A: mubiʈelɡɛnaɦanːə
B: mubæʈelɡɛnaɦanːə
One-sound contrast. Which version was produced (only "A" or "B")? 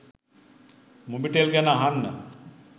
A